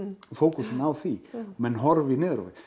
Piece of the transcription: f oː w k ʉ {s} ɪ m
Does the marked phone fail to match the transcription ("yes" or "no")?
no